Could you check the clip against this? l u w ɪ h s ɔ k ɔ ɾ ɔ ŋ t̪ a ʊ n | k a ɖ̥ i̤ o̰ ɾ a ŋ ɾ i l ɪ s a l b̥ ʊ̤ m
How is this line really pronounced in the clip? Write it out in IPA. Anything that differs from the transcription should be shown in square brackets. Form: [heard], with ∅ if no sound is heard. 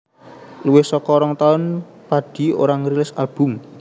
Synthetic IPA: l u w ɪ h s ɔ k ɔ ɾ ɔ ŋ t̪ a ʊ n | [p] a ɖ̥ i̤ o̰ ɾ a ŋ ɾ i l ɪ s a l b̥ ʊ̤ m